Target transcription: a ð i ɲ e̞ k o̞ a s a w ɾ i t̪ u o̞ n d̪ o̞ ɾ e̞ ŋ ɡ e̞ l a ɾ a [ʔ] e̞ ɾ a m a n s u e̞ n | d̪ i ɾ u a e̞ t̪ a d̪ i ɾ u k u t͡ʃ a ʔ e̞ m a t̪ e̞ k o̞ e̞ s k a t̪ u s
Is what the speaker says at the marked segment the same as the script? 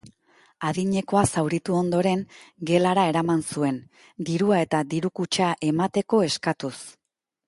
no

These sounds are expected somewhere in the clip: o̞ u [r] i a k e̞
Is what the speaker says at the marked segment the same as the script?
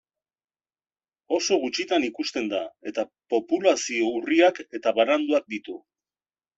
yes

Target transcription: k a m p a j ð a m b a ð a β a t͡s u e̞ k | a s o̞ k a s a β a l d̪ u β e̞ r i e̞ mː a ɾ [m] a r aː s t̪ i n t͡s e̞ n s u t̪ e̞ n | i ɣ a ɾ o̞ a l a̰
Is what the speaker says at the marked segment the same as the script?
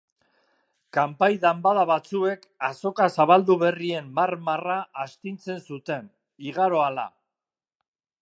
yes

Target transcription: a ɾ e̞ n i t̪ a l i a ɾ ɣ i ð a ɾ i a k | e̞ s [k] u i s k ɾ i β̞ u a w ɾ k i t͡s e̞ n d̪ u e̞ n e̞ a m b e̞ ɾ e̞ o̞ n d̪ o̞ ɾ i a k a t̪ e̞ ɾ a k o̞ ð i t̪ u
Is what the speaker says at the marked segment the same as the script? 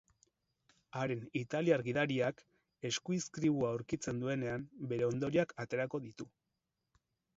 yes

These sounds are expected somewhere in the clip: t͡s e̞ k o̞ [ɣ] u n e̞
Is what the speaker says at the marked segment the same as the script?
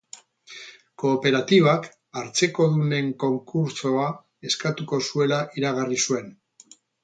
no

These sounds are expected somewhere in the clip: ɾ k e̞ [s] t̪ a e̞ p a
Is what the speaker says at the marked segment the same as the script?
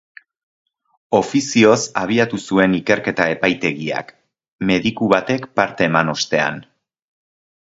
no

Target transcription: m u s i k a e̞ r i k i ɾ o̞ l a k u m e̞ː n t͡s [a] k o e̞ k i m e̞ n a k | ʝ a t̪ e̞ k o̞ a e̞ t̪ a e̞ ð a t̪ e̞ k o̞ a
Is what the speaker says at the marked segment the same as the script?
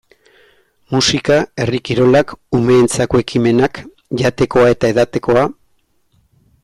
yes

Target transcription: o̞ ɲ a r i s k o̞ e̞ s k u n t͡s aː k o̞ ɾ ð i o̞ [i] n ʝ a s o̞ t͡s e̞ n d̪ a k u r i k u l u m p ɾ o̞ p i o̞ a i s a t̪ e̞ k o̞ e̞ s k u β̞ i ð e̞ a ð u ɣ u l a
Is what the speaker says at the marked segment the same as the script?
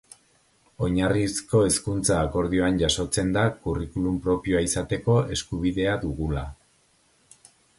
no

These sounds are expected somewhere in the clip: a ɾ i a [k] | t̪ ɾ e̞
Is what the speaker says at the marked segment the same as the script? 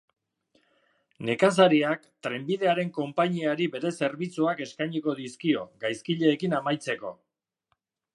yes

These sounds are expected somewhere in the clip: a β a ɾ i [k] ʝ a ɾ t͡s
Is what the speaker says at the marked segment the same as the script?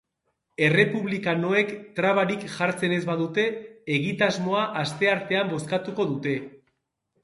yes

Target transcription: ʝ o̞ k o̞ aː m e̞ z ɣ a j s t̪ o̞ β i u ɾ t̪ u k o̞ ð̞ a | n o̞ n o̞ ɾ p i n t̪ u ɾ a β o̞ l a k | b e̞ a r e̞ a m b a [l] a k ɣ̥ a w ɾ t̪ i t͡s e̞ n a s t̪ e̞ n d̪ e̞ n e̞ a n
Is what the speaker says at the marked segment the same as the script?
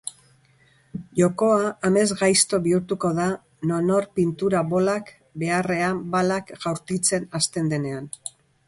yes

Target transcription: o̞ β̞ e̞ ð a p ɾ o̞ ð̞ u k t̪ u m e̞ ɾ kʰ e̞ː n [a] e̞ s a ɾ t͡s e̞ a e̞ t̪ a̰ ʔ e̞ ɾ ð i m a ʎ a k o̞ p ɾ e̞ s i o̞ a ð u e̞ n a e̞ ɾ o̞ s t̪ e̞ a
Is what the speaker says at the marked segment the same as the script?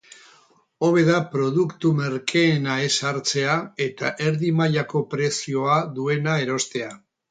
yes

